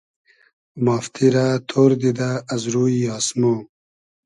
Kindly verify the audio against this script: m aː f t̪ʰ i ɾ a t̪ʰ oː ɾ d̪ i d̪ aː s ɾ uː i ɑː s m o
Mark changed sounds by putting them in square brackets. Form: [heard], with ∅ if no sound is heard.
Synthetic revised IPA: m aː f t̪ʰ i ɾ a t̪ʰ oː ɾ d̪ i d̪ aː [z] ɾ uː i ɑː s m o